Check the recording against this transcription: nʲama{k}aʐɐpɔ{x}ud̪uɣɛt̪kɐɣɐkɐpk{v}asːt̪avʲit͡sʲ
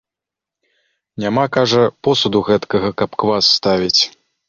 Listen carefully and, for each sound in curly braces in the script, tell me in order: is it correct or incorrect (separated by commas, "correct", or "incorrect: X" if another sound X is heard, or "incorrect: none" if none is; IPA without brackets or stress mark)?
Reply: correct, incorrect: s, correct